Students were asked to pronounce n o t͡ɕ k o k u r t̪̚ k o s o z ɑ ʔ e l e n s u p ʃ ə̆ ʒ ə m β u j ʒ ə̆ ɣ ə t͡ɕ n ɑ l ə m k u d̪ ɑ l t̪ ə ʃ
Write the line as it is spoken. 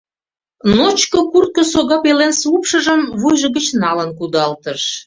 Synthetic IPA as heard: n o t͡ɕ k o k u r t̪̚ k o s o ɣ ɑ p e l e n s u p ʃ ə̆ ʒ ə m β u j ʒ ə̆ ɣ ə t͡ɕ n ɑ l ə n k u d̪ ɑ l t̪ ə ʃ